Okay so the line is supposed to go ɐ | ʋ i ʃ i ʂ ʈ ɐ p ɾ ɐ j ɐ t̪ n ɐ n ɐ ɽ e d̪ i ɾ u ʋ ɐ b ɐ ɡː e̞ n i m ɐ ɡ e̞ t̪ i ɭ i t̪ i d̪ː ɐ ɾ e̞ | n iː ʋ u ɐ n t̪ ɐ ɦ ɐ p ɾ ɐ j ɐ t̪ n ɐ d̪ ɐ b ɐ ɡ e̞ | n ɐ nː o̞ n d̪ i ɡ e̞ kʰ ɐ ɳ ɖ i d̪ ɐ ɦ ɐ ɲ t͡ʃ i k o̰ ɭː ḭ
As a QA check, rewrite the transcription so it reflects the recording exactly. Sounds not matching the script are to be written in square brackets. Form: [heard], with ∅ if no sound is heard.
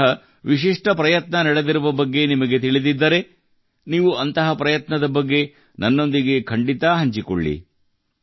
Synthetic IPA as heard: ɐ | ʋ i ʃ i ʂ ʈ ɐ p ɾ ɐ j ɐ t̪ n ɐ n ɐ ɽ e d̪ i ɾ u ʋ ɐ b ɐ ɡː e̞ n i m ɐ ɡ e̞ t̪ i ɭ i [d̪] i d̪ː ɐ ɾ e̞ | n iː ʋ u ɐ n t̪ ɐ ɦ ɐ p ɾ ɐ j ɐ t̪ n ɐ d̪ ɐ b ɐ [ɡː] e̞ | n ɐ nː o̞ n d̪ i ɡ e̞ kʰ ɐ ɳ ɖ i [t̪] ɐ ɦ ɐ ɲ t͡ʃ i k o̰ ɭː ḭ

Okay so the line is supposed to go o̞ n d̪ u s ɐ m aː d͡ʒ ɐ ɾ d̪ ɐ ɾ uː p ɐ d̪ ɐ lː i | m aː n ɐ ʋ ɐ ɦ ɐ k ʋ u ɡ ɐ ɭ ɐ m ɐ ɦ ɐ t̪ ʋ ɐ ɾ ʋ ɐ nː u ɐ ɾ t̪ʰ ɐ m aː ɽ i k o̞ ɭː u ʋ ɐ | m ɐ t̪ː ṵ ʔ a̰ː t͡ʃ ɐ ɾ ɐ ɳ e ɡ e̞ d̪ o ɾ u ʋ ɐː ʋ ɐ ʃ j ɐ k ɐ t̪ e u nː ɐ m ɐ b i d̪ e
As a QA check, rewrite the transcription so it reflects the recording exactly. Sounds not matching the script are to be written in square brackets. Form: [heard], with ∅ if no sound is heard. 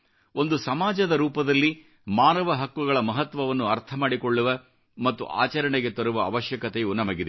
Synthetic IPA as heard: o̞ n d̪ u s ɐ m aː d͡ʒ ɐ [∅] d̪ ɐ ɾ uː p ɐ d̪ ɐ lː i | m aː n ɐ ʋ ɐ ɦ ɐ k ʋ u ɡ ɐ ɭ ɐ m ɐ ɦ ɐ t̪ ʋ ɐ [∅] ʋ ɐ nː u ɐ ɾ t̪ʰ ɐ m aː ɽ i k o̞ ɭː u ʋ ɐ | m ɐ t̪ː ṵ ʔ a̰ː t͡ʃ ɐ ɾ ɐ ɳ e ɡ e̞ [t̪] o ɾ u ʋ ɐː ʋ ɐ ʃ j ɐ k ɐ t̪ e u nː ɐ m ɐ [ɡ] i d̪ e

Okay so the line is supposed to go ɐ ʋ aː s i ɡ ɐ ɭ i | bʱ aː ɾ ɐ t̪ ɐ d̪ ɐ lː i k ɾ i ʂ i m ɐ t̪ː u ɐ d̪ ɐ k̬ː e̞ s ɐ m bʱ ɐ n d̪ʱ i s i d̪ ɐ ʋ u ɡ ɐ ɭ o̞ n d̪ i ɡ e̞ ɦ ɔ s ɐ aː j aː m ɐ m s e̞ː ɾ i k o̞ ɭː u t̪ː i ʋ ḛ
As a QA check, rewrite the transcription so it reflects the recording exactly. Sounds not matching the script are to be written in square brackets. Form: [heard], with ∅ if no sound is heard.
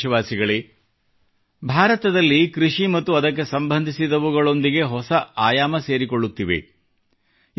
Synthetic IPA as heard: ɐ ʋ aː s i ɡ ɐ ɭ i | bʱ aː ɾ ɐ t̪ ɐ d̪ ɐ lː i k ɾ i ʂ i m ɐ t̪ː u ɐ d̪ ɐ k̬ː e̞ s ɐ m bʱ ɐ n d̪ʱ i s i d̪ ɐ ʋ u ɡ ɐ ɭ o̞ n d̪ i ɡ e̞ ɦ ɔ s ɐ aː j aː m ɐ [∅] s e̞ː ɾ i k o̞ ɭː u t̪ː i ʋ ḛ

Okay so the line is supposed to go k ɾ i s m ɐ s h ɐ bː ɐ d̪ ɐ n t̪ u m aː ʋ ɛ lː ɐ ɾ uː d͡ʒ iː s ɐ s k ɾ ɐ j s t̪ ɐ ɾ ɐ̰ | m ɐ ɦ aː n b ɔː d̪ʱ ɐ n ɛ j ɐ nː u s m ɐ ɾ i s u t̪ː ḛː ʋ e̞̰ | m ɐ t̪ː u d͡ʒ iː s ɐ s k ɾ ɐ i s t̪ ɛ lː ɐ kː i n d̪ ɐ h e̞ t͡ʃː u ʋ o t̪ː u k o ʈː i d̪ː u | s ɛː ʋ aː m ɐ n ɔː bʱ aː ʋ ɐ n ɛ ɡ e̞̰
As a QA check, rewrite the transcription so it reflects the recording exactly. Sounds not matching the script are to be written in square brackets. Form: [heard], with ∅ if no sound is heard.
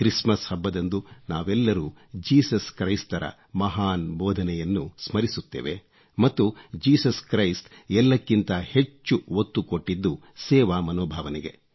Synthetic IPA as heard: k ɾ i s m ɐ s h ɐ bː ɐ d̪ ɐ n [d̪] u [n] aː ʋ ɛ lː ɐ ɾ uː d͡ʒ iː s ɐ s k ɾ ɐ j s t̪ ɐ ɾ ɐ̰ | m ɐ ɦ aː n b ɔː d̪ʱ ɐ n ɛ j ɐ nː u s m ɐ ɾ i s u t̪ː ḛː ʋ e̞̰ | m ɐ t̪ː u d͡ʒ iː s ɐ s k ɾ ɐ [j] s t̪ ɛ lː ɐ kː i n [t̪] ɐ h e̞ t͡ʃː u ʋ o t̪ː u k o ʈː i d̪ː u | s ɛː ʋ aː m ɐ n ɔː bʱ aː ʋ ɐ n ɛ ɡ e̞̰

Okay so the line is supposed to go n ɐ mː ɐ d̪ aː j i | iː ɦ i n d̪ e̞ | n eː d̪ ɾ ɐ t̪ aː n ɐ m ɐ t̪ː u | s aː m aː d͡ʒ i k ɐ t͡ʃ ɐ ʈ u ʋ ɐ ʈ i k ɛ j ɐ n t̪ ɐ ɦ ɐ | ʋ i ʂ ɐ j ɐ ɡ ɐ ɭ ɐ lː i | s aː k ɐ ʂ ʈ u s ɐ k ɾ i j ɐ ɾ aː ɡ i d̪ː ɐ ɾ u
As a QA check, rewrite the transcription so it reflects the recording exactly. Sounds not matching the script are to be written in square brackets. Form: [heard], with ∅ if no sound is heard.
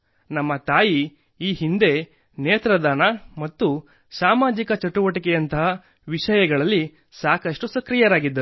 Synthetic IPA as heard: n ɐ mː ɐ [t̪] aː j i | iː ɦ i n d̪ e̞ | n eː [t̪] ɾ ɐ [d̪] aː n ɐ m ɐ t̪ː u | s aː m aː d͡ʒ i k ɐ t͡ʃ ɐ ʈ u ʋ ɐ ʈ i k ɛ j ɐ n t̪ ɐ ɦ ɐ | ʋ i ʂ ɐ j ɐ ɡ ɐ ɭ ɐ lː i | s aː k ɐ ʂ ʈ u s ɐ k ɾ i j ɐ ɾ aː ɡ i d̪ː ɐ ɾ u

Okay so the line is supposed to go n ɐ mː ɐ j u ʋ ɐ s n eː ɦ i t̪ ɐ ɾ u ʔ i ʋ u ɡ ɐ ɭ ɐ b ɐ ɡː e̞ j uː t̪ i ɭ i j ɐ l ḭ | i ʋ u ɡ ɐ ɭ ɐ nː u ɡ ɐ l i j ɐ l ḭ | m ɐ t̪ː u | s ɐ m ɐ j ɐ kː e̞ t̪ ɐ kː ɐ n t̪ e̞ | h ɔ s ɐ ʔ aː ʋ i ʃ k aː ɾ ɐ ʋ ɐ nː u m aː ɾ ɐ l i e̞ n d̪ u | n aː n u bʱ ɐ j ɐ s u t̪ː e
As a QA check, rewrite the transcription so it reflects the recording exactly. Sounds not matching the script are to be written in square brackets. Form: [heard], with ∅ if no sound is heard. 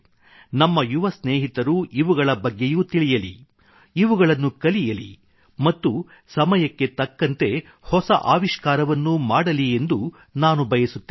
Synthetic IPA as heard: n ɐ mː ɐ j u ʋ ɐ s n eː ɦ i t̪ ɐ ɾ u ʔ i ʋ u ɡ ɐ ɭ ɐ b ɐ ɡː e̞ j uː t̪ i ɭ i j ɐ l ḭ | i ʋ u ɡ ɐ ɭ ɐ nː u [k] ɐ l i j ɐ l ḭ | m ɐ t̪ː u | s ɐ m ɐ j ɐ kː e̞ t̪ ɐ kː ɐ n t̪ e̞ | h ɔ s ɐ ʔ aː ʋ i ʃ k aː ɾ ɐ ʋ ɐ nː u m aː [ɽ] ɐ l i e̞ n d̪ u | n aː n u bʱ ɐ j ɐ s u t̪ː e

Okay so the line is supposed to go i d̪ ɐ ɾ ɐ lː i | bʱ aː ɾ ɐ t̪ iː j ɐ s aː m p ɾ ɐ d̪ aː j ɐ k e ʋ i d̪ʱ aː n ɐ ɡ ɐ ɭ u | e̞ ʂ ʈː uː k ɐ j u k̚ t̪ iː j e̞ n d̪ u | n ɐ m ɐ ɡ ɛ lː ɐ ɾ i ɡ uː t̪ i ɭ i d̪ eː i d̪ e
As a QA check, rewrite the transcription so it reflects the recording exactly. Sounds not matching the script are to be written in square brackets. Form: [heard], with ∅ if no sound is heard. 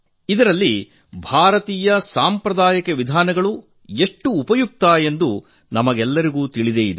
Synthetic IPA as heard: i d̪ ɐ ɾ ɐ lː i | bʱ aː ɾ ɐ t̪ iː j ɐ s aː m p ɾ ɐ d̪ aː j ɐ k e ʋ i d̪ʱ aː n ɐ ɡ ɐ ɭ u | e̞ ʂ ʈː uː [p] ɐ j u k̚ t̪ [aː] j e̞ n d̪ u | n ɐ m ɐ ɡ ɛ lː ɐ ɾ i ɡ uː t̪ i ɭ i d̪ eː i d̪ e

